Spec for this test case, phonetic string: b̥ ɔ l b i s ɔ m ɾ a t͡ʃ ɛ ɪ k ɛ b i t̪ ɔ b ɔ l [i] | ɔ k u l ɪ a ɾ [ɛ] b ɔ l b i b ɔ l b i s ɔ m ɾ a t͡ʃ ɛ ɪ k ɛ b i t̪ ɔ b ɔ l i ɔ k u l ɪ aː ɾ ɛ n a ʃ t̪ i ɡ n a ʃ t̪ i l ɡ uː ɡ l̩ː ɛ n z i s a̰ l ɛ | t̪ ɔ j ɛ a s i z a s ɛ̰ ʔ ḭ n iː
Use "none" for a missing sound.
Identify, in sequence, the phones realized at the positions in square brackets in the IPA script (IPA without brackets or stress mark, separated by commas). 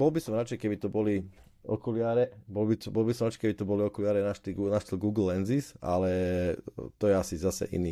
i, ɛ